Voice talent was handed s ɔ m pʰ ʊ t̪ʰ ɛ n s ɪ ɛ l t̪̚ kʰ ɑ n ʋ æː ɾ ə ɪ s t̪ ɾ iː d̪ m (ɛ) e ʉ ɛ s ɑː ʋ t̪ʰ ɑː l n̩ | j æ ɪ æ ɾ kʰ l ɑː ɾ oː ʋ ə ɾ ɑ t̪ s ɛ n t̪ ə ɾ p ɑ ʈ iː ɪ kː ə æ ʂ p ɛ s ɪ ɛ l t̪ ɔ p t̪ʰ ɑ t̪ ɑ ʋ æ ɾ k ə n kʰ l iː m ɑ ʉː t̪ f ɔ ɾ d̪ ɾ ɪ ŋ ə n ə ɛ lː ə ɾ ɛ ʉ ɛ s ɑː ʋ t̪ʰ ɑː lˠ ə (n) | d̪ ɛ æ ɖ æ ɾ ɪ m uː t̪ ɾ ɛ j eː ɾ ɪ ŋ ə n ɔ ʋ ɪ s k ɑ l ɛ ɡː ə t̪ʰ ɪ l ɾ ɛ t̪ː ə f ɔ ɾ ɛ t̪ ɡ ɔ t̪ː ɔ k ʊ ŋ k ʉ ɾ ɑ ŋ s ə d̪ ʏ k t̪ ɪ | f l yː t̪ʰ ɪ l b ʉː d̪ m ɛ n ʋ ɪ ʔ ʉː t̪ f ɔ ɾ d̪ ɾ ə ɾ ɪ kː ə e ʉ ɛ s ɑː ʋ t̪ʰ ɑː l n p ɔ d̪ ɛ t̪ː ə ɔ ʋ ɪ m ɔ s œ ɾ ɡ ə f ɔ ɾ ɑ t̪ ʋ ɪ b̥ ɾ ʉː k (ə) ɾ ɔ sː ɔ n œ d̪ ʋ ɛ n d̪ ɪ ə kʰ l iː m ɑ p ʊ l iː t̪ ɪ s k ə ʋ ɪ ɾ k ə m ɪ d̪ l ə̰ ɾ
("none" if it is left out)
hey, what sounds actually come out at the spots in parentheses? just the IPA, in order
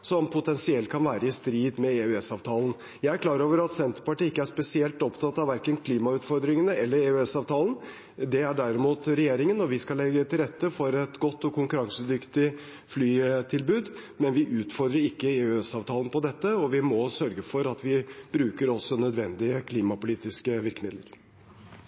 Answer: ɛ, n, ə

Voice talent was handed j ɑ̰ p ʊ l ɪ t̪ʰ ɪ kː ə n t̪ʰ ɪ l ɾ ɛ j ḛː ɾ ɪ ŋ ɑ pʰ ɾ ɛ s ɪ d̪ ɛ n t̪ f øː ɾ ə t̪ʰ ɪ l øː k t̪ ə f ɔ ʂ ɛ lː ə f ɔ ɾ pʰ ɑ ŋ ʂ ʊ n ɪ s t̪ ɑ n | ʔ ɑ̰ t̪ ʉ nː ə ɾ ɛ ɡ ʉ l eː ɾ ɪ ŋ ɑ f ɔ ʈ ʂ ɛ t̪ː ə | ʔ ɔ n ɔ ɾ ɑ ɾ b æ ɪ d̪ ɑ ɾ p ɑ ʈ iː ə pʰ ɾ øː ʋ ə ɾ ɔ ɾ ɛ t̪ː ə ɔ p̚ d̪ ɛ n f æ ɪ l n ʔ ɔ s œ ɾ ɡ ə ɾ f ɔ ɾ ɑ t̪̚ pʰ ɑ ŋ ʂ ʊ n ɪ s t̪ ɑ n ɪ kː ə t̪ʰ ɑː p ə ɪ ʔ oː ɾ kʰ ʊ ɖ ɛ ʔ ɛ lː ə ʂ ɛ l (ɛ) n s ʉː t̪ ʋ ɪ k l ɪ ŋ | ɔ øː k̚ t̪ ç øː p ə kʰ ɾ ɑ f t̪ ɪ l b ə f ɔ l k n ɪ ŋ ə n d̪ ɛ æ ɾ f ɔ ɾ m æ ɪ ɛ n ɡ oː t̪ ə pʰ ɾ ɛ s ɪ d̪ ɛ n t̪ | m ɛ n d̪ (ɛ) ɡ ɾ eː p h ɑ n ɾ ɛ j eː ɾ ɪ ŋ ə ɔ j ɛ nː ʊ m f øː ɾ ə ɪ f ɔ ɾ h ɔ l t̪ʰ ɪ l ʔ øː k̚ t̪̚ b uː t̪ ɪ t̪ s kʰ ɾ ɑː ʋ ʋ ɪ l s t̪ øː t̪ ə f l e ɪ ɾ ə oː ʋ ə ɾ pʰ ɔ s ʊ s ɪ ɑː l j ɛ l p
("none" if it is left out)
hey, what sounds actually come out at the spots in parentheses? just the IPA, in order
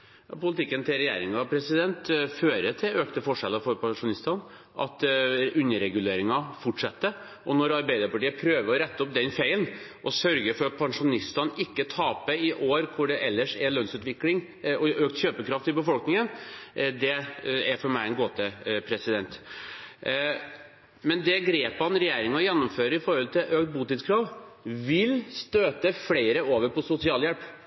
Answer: œ, ɛ

